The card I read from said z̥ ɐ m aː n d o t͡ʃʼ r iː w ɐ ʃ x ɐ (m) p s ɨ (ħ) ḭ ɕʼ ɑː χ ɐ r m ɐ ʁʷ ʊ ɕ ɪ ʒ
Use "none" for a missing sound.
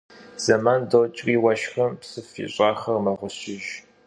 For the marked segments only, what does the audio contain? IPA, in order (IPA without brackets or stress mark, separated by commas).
m, f